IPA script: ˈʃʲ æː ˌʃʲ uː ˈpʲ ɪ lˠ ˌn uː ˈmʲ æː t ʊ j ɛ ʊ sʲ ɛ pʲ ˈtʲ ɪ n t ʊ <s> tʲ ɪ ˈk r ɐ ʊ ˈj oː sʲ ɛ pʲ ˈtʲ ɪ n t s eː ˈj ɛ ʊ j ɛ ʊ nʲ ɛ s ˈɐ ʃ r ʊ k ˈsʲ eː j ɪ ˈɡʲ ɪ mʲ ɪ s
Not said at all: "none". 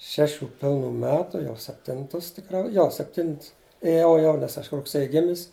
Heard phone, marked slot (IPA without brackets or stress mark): s